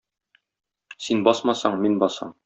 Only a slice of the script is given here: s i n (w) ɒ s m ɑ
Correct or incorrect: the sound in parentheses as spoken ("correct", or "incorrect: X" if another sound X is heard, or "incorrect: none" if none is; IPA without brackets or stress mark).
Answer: incorrect: b